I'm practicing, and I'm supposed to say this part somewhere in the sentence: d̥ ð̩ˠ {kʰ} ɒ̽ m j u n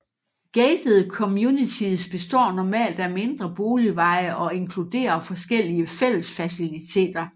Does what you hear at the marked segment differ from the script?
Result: no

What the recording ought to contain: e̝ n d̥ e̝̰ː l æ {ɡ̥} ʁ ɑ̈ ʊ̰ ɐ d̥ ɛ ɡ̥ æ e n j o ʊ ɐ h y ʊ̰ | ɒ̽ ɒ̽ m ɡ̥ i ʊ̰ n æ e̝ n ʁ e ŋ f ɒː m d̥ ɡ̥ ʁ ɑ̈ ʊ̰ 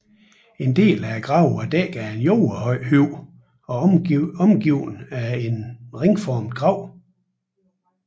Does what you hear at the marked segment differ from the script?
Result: no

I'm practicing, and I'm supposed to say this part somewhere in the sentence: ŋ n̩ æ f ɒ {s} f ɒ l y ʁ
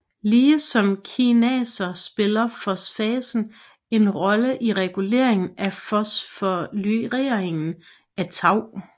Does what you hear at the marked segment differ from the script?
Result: no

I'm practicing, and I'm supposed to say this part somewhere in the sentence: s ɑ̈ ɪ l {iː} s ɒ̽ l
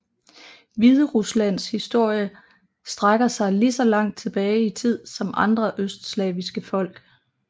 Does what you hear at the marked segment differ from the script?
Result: yes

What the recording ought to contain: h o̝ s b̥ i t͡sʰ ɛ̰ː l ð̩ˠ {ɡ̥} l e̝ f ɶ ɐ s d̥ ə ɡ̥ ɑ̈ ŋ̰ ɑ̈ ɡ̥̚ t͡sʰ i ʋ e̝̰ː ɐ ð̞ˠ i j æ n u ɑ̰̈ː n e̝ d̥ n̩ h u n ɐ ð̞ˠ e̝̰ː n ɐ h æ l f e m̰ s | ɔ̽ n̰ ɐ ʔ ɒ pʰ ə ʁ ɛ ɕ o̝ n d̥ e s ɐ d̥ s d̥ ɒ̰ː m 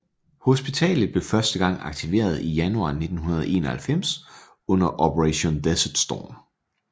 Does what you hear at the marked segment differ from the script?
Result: yes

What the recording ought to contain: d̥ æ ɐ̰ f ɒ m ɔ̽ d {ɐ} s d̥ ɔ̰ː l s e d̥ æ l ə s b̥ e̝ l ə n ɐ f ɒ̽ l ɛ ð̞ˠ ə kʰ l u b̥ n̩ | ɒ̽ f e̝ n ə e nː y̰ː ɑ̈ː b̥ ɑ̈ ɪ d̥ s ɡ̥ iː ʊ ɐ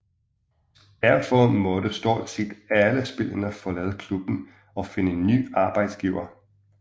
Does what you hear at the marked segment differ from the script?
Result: yes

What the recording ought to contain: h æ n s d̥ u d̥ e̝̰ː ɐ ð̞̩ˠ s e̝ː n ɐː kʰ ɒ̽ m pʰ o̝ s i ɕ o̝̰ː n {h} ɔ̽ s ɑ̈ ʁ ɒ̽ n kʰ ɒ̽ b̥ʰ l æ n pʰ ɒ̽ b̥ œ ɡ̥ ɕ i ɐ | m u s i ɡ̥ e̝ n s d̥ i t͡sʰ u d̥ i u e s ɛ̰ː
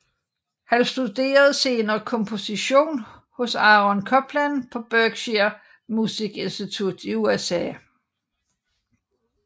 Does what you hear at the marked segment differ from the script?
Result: no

